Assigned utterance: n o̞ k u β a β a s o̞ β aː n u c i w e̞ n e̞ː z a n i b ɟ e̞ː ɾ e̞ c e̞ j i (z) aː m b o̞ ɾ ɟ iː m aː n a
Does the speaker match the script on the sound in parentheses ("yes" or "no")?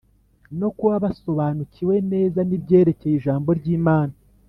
no